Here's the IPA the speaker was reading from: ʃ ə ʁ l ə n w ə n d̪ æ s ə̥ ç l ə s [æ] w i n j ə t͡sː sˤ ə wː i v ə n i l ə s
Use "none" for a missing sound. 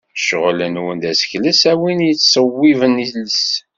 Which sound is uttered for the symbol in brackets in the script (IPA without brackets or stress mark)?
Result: æ